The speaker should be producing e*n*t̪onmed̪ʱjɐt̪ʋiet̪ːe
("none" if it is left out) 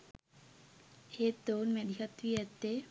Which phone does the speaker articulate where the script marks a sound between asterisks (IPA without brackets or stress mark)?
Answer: none